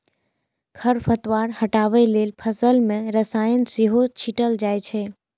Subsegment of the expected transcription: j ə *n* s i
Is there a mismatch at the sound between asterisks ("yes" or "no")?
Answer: no